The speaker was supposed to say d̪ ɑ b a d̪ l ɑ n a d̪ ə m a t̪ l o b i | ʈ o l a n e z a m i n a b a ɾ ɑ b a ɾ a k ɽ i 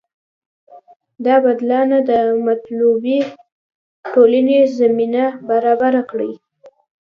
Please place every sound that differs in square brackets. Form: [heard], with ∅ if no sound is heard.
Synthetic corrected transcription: d̪ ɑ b a d̪ l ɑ n a d̪ ə m a t̪ l [u] b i | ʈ o l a n e z a m i n a b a ɾ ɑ b a ɾ a k ɽ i